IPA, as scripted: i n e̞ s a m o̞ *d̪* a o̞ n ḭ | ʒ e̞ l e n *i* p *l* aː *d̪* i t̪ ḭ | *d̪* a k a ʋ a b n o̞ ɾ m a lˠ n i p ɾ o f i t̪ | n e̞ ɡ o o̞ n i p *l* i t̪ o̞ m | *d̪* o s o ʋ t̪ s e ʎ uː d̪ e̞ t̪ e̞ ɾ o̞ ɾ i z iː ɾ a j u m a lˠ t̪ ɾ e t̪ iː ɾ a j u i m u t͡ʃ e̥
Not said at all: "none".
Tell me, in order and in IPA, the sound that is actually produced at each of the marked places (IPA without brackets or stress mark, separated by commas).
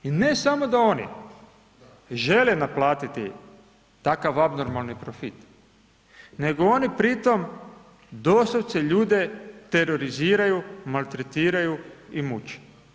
d̪, a, l, t̪, t̪, ɾ, d̪